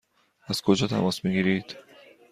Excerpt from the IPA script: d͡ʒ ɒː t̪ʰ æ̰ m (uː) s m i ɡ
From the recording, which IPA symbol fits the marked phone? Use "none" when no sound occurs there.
ɒː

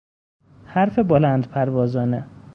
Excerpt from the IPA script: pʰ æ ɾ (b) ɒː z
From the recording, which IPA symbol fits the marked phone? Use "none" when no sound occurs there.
v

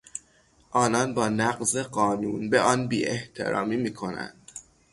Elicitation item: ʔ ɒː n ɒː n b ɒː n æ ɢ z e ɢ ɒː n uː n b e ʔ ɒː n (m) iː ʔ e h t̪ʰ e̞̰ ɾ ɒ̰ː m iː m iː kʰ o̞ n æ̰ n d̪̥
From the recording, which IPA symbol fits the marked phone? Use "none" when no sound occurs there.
b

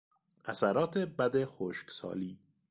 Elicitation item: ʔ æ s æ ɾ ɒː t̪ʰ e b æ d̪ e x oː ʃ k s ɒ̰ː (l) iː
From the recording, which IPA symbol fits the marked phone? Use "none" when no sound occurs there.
l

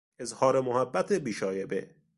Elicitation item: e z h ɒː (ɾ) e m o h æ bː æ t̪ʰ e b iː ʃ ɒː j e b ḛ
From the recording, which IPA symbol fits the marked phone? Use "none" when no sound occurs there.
ɾ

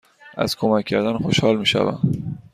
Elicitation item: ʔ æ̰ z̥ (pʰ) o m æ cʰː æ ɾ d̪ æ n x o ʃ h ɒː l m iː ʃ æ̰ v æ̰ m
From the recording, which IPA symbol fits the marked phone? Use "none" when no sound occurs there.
kʰ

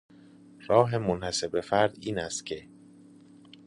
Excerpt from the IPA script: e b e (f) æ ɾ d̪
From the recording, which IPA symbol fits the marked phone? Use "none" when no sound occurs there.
f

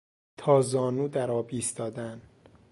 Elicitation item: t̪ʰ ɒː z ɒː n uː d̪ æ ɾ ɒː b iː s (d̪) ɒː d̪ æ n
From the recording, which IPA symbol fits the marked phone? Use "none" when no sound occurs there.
t̪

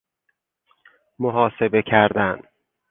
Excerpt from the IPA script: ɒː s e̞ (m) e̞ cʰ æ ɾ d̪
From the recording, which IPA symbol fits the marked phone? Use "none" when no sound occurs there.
b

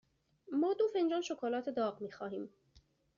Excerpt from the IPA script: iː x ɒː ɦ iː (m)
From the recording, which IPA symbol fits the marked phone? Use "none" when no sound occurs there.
m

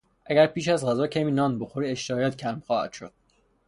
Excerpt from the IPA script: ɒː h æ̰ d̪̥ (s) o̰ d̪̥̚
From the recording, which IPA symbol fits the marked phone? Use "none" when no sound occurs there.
ʃ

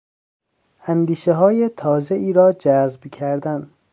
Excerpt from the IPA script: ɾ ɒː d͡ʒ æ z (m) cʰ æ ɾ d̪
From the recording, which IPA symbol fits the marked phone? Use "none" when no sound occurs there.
b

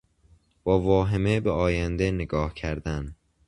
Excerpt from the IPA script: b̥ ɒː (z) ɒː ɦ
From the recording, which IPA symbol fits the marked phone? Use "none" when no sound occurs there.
v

